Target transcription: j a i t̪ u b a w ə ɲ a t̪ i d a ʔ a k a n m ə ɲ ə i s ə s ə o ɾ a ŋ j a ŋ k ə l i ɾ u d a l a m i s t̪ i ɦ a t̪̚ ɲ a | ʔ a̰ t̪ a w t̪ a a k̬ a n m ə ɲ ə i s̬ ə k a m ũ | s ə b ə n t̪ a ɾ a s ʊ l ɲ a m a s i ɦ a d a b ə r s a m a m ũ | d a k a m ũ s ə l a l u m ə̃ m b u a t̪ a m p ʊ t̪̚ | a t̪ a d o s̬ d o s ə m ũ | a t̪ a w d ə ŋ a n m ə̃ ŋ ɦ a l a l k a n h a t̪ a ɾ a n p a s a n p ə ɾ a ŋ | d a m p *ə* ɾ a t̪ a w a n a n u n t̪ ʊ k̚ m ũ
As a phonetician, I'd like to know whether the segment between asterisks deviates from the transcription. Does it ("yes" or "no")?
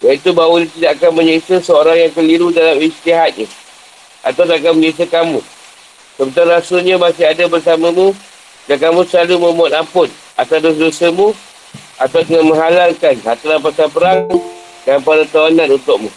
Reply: yes